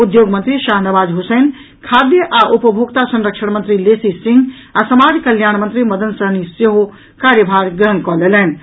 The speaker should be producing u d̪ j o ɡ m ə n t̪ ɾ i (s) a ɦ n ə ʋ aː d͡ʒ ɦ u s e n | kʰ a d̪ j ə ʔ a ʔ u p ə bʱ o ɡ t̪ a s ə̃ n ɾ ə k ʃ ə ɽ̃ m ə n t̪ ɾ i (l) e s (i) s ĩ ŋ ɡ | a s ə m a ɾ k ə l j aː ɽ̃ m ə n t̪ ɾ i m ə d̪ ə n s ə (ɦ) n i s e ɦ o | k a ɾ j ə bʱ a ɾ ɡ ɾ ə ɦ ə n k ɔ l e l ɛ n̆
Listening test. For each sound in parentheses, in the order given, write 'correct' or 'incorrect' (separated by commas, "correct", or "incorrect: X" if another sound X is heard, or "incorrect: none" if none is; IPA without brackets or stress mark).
incorrect: ʃ, correct, correct, correct